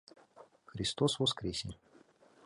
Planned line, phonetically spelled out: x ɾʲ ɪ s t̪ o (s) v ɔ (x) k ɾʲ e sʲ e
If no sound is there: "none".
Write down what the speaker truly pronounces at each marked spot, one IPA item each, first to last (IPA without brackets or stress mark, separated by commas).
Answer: s, s